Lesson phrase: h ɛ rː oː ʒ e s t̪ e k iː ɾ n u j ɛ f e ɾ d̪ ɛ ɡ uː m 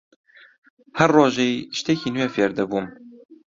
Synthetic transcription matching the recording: h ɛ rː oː ʒ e ʃ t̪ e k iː n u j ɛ f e ɾ d̪ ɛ b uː m

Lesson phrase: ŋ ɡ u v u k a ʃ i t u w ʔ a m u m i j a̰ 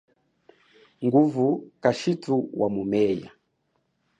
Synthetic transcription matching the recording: ŋ ɡ u v u k a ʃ i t u w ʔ a m u m ɛ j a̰

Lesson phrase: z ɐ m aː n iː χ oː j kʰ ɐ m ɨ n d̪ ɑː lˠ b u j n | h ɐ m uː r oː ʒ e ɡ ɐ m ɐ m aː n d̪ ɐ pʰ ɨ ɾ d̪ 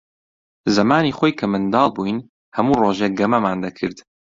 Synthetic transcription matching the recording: z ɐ m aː n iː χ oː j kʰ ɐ m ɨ n d̪ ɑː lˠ b u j n | h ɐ m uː r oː ʒ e ɡ ɐ m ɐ m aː n d̪ ɐ kʰ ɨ ɾ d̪

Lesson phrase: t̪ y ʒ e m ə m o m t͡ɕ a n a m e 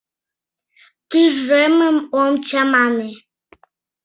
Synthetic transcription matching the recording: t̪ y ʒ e m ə m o m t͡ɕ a m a n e

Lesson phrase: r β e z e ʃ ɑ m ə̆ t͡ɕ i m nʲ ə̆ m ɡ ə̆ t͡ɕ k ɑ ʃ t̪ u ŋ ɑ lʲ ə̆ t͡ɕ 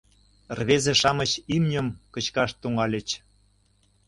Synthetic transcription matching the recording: r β e z e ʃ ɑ m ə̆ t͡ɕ i m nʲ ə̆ m k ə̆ t͡ɕ k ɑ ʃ t̪ u ŋ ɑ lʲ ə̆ t͡ɕ

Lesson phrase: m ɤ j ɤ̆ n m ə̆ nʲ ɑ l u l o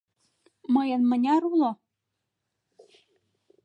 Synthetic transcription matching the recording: m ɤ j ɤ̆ n m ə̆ nʲ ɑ ɾ u l o

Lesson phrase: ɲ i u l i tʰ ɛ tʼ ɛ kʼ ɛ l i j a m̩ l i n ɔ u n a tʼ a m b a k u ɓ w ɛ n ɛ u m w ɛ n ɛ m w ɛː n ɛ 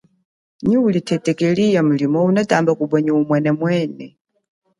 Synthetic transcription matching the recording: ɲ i u l i tʰ ɛ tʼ ɛ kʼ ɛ l i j a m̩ l i m ɔ u n a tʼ a m b a k u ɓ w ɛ ɲ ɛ u m w ɛ n ɛ m w ɛː n ɛ

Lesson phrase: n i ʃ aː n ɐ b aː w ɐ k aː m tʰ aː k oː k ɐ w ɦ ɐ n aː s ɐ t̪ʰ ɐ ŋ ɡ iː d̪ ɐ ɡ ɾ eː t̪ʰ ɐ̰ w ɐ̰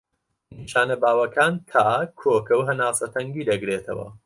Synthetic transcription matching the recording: n i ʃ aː n ɐ b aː w ɐ k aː n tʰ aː kʰ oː k ɐ w ɦ ɐ n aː s ɐ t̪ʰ ɐ ŋ ɡ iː d̪ ɐ ɡ ɾ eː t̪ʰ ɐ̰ w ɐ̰

